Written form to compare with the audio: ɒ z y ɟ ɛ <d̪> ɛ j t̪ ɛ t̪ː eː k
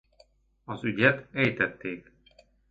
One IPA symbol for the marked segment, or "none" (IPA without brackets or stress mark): t̪